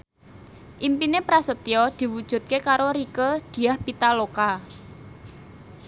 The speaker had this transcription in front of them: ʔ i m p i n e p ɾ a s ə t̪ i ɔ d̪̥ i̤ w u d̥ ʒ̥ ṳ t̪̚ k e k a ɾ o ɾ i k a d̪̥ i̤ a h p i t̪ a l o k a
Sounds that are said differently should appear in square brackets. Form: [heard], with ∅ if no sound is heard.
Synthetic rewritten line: ʔ i m p i n e p ɾ a s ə t̪ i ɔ d̪̥ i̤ w u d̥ ʒ̥ ṳ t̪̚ k e k a ɾ o ɾ i k [ə] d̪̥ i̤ a h p i t̪ a l o k a